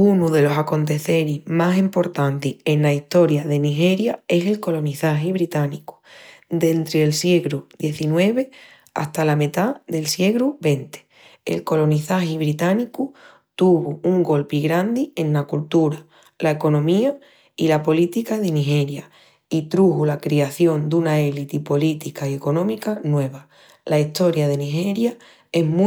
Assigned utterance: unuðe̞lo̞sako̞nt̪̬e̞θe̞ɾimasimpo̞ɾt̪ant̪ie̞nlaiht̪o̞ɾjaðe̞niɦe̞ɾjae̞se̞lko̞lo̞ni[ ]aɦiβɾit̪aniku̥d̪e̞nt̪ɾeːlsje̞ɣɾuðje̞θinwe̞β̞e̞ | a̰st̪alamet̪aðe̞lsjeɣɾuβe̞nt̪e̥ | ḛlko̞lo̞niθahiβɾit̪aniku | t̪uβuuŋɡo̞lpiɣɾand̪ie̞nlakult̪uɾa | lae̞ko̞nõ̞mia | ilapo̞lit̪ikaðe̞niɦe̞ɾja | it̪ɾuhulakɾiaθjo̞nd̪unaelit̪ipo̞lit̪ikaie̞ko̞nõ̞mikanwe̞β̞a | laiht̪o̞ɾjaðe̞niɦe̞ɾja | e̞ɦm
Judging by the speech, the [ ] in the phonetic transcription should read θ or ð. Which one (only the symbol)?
θ